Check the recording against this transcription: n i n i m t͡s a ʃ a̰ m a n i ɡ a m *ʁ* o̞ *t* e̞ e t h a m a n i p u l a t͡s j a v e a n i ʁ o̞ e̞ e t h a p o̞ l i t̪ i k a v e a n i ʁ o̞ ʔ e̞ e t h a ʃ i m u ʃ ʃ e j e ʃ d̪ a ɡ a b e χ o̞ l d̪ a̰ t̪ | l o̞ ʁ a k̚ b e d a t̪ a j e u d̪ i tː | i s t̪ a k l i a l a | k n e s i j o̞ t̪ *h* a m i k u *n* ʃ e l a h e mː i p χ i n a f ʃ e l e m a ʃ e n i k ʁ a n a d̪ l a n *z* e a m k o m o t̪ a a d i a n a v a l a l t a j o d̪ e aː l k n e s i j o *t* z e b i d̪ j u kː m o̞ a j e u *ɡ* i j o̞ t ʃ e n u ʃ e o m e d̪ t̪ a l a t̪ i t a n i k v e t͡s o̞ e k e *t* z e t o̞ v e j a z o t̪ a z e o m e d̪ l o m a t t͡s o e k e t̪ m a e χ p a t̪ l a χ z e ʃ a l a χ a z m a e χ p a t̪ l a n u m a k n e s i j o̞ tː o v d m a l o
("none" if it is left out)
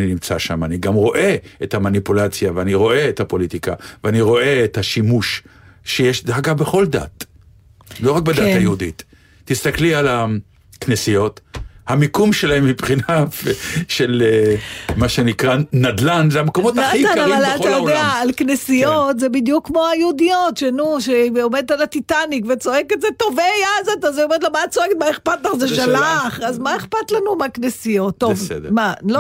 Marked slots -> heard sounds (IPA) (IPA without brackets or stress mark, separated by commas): ʁ, ʔ, h, m, z, t, d, t